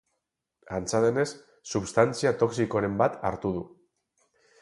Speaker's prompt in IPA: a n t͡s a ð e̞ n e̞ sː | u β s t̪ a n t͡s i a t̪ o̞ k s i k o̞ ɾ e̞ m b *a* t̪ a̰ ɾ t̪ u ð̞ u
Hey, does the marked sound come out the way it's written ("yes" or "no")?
yes